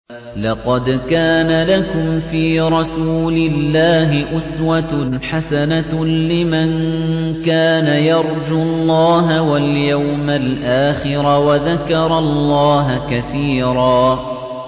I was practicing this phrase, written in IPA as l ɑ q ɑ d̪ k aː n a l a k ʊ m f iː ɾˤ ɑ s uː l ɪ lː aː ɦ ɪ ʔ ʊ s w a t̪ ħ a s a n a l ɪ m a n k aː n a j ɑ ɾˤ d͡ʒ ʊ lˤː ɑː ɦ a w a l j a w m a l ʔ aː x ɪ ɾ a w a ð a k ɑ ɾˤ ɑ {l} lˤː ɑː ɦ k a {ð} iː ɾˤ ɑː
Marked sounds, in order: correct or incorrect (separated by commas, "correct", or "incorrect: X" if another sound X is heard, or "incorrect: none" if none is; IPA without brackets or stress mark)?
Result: correct, incorrect: θ